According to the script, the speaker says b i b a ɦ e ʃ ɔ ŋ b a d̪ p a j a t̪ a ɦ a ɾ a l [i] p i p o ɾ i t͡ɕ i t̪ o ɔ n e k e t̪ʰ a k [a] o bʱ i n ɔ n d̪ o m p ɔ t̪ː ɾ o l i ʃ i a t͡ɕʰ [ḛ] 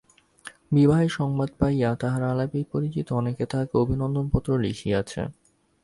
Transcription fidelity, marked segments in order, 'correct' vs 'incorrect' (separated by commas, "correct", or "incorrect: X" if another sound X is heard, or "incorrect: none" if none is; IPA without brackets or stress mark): incorrect: a, incorrect: e, correct